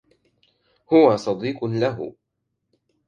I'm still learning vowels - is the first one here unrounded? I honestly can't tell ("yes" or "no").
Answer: no